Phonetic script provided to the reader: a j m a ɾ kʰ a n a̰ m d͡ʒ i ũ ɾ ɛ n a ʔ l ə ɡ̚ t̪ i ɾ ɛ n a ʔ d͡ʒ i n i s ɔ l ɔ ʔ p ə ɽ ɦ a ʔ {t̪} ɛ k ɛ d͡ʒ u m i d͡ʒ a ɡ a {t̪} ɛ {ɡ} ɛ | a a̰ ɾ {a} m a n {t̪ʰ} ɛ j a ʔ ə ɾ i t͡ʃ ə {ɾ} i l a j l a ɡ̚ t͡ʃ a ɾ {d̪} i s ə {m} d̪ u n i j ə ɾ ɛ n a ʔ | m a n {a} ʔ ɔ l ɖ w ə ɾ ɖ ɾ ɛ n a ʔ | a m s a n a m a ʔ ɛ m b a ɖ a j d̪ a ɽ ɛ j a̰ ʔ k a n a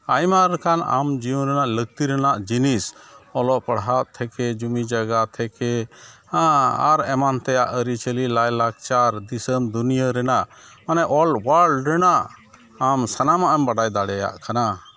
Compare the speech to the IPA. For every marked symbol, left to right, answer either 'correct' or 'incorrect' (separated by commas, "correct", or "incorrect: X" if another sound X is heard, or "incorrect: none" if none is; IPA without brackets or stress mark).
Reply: incorrect: t̪ʰ, incorrect: t̪ʰ, incorrect: k, incorrect: ɛ, incorrect: t̪, incorrect: l, correct, correct, incorrect: ɛ